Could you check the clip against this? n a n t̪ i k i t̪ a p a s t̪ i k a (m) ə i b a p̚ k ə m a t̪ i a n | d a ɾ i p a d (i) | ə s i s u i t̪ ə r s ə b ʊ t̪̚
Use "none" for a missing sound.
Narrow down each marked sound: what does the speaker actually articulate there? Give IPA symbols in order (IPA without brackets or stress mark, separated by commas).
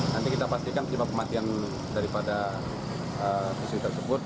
n, a